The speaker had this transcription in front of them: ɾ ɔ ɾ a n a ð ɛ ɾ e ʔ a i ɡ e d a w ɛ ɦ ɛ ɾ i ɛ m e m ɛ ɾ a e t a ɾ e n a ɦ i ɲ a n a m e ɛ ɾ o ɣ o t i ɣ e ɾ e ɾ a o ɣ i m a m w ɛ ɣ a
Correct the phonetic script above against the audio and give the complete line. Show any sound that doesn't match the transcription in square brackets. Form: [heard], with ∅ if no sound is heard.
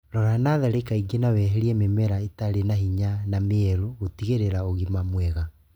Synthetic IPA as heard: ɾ ɔ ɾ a n a ð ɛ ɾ e [k] a i ɡ e [n] a w ɛ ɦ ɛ ɾ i ɛ m e m ɛ ɾ a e t a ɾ e n a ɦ i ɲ a n a m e ɛ ɾ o ɣ o t i ɣ e ɾ e ɾ a o ɣ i m a m w ɛ ɣ a